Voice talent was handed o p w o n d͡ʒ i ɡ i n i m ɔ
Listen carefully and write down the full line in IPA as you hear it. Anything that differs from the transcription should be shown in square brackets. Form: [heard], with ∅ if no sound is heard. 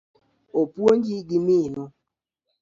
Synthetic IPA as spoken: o p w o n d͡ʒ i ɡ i [m] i [n] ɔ